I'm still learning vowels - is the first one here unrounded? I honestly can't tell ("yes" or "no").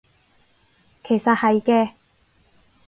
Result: yes